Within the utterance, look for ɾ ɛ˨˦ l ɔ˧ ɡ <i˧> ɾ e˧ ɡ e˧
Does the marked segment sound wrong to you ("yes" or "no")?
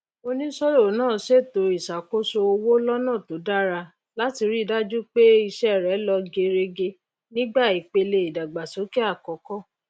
yes